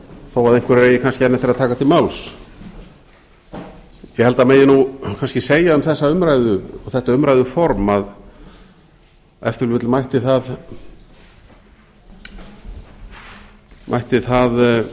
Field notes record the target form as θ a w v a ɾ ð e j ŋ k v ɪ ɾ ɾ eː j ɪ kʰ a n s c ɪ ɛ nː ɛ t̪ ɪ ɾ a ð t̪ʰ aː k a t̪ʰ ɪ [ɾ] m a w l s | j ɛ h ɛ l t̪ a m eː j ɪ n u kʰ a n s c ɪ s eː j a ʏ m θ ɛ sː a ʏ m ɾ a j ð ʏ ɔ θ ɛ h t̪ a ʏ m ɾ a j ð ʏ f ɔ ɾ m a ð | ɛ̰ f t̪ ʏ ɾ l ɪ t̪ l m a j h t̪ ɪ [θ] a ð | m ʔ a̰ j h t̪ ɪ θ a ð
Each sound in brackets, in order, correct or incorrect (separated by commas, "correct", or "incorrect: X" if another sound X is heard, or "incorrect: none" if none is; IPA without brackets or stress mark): incorrect: l, correct